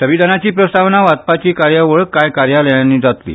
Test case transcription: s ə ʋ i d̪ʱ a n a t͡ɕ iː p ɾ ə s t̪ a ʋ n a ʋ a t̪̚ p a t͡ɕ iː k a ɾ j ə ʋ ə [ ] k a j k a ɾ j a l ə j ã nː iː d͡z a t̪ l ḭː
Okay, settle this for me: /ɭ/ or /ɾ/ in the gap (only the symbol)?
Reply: ɭ